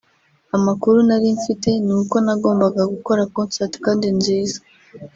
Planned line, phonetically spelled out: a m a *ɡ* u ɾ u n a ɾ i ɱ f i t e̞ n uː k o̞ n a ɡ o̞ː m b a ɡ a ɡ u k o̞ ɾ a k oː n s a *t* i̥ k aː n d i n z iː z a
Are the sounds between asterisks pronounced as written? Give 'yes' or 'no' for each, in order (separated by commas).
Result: no, yes